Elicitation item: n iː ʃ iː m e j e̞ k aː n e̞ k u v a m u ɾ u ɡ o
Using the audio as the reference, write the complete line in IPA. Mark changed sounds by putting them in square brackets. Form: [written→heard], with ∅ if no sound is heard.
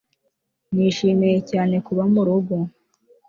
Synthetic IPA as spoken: n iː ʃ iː m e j e̞ [k→c] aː n e̞ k u [v→β] a m u ɾ u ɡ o